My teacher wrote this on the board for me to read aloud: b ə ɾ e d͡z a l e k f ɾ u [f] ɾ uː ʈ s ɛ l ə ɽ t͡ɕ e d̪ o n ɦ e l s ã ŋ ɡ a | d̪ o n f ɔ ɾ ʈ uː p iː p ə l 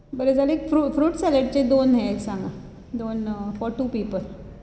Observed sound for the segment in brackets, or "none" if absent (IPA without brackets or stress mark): f